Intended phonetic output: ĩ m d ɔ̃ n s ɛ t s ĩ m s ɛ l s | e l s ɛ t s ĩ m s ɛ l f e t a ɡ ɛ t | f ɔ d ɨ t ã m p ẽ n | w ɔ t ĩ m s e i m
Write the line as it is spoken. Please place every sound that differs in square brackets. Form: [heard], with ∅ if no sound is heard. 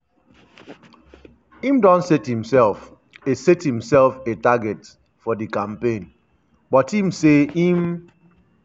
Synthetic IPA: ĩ m d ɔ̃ n s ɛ t [h] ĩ m s ɛ l [f] | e [∅] s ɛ t [h] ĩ m s ɛ l f e t a ɡ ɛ t | f ɔ d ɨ [k] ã m p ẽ n | [b] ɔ t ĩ m s e i m